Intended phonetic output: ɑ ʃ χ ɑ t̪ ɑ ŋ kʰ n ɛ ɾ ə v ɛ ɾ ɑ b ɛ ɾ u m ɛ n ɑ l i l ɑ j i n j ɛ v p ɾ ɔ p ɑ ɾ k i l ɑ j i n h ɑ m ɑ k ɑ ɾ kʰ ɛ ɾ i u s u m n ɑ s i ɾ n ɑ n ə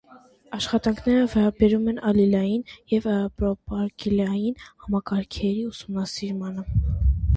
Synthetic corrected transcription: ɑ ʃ χ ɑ t̪ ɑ ŋ kʰ n ɛ ɾ ə v ɛ ɾ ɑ b ɛ ɾ u m ɛ n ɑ l i l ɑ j i n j ɛ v p ɾ ɔ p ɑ ɾ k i l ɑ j i n h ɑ m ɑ k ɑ ɾ kʰ ɛ ɾ i u s u m n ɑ s i ɾ m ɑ n ə